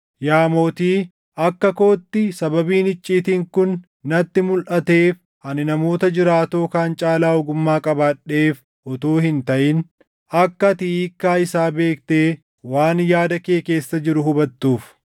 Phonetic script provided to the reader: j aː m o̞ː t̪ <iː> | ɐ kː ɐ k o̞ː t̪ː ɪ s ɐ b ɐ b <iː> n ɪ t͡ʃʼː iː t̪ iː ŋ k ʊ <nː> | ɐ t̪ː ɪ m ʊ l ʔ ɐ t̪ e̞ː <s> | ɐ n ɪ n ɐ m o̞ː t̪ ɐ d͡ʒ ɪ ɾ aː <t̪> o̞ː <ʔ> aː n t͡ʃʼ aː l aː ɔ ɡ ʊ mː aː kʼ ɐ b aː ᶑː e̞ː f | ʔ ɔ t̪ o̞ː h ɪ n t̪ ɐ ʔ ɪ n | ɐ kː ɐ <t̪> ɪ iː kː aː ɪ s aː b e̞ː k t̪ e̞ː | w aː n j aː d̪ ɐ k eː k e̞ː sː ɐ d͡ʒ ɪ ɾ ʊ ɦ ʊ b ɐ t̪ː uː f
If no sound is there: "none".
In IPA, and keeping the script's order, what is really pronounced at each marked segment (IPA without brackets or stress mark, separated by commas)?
iː, iː, nː, f, t̪, k, t̪